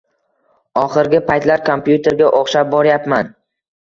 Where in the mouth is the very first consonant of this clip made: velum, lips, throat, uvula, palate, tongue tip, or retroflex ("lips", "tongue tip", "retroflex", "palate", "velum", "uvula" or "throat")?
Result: uvula